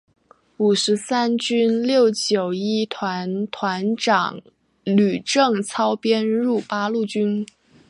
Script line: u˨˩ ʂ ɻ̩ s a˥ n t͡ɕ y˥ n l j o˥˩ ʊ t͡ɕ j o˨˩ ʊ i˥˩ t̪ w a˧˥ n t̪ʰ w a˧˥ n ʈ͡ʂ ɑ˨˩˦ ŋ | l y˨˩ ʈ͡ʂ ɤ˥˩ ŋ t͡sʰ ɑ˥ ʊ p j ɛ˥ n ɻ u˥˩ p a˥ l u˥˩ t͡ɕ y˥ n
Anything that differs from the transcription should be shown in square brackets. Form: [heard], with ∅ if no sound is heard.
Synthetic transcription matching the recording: u˨˩ ʂ ɻ̩ s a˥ n t͡ɕ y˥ n l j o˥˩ ʊ t͡ɕ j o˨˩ ʊ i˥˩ [t̪ʰ] w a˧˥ n t̪ʰ w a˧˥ n ʈ͡ʂ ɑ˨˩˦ ŋ | l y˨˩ ʈ͡ʂ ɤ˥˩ ŋ t͡sʰ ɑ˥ ʊ p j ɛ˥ n ɻ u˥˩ p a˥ l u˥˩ t͡ɕ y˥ n

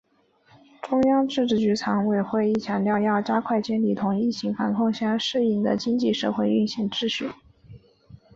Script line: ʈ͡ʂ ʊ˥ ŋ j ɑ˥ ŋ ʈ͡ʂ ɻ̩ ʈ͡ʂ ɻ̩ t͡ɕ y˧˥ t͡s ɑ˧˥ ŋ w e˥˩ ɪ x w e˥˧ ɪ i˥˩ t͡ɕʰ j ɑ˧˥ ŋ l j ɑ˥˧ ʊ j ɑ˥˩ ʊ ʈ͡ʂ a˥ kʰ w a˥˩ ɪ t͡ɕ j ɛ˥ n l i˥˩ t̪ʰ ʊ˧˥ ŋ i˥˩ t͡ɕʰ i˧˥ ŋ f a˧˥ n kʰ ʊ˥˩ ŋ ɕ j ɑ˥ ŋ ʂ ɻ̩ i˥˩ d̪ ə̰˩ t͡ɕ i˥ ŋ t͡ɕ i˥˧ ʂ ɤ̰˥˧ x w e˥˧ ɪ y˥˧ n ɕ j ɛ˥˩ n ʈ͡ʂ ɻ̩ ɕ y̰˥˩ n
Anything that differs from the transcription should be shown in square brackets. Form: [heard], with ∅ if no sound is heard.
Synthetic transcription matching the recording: ʈ͡ʂ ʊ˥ ŋ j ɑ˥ ŋ ʈ͡ʂ ɻ̩ ʈ͡ʂ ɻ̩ t͡ɕ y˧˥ [t͡sʰ] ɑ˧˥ ŋ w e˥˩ ɪ x w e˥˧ ɪ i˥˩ t͡ɕʰ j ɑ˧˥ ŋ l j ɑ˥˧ ʊ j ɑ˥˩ ʊ ʈ͡ʂ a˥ kʰ w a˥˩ ɪ t͡ɕ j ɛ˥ n l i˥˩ t̪ʰ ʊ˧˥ ŋ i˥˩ t͡ɕʰ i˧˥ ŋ f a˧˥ n kʰ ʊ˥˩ ŋ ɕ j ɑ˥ ŋ ʂ ɻ̩ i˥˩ d̪ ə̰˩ t͡ɕ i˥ ŋ t͡ɕ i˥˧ ʂ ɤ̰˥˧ x w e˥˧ ɪ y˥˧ n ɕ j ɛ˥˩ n ʈ͡ʂ ɻ̩ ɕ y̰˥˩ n

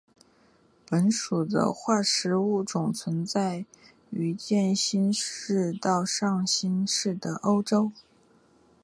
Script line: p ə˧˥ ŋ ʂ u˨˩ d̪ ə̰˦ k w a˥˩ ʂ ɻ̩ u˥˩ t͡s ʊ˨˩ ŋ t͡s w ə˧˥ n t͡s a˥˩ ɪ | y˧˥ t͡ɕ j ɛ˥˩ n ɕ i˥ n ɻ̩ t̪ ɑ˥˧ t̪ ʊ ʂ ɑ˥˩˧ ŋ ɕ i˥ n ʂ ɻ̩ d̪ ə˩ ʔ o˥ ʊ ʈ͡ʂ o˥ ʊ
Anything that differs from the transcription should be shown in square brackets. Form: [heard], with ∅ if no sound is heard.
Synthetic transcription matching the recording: p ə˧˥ [n] ʂ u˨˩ d̪ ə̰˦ [x] w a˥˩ ʂ ɻ̩ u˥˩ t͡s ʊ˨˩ ŋ [t͡sʰ] w ə˧˥ n t͡s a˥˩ ɪ | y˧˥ t͡ɕ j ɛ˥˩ n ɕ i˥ n ɻ̩ t̪ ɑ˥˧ [∅] ʊ ʂ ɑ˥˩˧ ŋ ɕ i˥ n ʂ ɻ̩ d̪ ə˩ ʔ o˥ ʊ ʈ͡ʂ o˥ ʊ

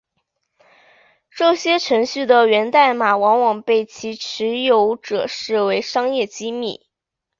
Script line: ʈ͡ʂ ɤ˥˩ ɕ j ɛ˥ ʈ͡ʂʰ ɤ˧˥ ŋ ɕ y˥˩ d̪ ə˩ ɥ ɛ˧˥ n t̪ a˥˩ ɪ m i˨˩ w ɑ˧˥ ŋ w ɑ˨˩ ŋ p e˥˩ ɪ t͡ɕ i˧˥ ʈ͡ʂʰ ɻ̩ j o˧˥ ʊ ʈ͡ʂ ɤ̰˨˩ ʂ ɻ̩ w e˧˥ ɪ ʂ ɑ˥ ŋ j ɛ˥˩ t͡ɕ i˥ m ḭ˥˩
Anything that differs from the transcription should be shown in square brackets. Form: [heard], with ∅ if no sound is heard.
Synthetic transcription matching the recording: ʈ͡ʂ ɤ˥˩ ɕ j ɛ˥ ʈ͡ʂʰ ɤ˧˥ ŋ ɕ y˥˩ d̪ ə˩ ɥ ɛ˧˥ n t̪ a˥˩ ɪ m [a˨˩] w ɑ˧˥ ŋ w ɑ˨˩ ŋ p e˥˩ ɪ [t͡ɕʰ] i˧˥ ʈ͡ʂʰ ɻ̩ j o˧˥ ʊ ʈ͡ʂ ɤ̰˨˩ ʂ ɻ̩ w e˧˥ ɪ ʂ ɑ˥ ŋ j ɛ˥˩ t͡ɕ i˥ m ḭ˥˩

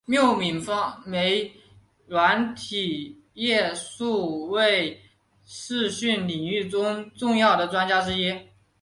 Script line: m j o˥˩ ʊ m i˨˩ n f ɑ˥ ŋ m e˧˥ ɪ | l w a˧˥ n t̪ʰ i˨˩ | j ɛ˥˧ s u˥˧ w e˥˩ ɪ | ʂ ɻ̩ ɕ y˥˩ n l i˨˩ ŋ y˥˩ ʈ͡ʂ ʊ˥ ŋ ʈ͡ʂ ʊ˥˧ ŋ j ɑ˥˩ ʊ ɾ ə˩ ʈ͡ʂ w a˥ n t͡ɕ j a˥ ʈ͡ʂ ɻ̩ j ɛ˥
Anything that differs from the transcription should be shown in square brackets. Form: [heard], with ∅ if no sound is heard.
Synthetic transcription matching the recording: m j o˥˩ ʊ m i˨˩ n f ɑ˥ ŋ m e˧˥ ɪ | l w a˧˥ n t̪ʰ i˨˩ | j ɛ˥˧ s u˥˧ w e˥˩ ɪ | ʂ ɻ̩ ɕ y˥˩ n l i˨˩ ŋ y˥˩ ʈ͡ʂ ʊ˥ ŋ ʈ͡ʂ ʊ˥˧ ŋ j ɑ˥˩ ʊ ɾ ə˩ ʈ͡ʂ w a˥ n t͡ɕ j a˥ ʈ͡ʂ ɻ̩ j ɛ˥

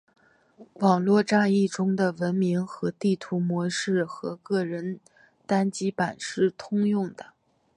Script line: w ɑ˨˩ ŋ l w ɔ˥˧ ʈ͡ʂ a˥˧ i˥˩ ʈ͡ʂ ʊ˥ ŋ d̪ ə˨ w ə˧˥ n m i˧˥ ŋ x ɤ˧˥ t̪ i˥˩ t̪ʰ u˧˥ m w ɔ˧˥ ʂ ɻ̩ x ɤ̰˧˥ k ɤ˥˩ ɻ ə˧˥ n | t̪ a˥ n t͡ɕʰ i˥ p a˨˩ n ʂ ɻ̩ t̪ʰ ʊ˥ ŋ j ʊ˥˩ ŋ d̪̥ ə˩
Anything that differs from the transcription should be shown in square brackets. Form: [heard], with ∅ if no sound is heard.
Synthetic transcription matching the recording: w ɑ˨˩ ŋ l w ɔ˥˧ ʈ͡ʂ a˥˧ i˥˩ ʈ͡ʂ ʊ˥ ŋ d̪ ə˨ w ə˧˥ n m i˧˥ ŋ x ɤ˧˥ t̪ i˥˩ t̪ʰ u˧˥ m w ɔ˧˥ ʂ ɻ̩ x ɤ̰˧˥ k ɤ˥˩ ɻ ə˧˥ n | t̪ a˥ n [t͡ɕ] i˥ p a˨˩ n ʂ ɻ̩ t̪ʰ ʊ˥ ŋ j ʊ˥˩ ŋ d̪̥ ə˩

